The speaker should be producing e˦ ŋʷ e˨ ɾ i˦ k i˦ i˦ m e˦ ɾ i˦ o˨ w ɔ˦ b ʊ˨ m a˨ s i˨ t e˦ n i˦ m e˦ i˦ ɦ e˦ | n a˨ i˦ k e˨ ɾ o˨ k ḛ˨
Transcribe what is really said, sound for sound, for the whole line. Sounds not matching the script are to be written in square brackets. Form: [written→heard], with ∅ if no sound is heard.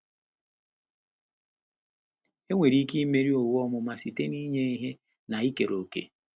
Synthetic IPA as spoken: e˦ ŋʷ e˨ ɾ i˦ k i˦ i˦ m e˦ ɾ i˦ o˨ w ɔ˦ [b→m] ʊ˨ m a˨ s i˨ t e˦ n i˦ [m→ɲ] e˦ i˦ ɦ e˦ | n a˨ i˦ k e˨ ɾ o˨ k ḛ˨